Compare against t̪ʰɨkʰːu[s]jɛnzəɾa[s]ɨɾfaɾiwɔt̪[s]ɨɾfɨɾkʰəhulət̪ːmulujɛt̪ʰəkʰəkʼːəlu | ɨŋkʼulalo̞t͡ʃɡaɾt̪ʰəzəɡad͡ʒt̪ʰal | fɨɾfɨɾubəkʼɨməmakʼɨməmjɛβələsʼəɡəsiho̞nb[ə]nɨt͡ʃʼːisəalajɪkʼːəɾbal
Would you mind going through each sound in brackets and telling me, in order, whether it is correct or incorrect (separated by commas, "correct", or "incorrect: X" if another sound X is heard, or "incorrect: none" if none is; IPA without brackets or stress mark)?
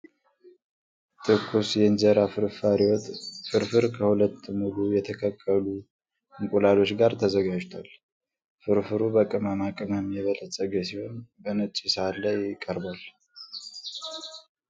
correct, incorrect: f, incorrect: f, correct